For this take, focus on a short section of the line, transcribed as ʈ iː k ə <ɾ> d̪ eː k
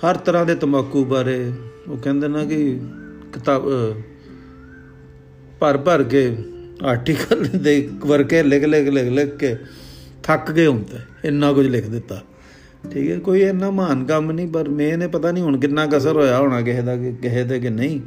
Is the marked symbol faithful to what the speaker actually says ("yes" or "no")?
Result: no